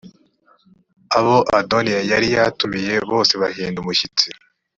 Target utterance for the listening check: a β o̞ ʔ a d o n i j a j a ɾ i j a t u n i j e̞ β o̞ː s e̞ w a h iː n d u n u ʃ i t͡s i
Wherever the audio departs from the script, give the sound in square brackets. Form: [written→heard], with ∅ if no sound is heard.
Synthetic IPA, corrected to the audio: a β o̞ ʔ a d o n i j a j a ɾ i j a t u [n→m] i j e̞ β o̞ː s e̞ [w→β] a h iː n d u [n→m] u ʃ i t͡s i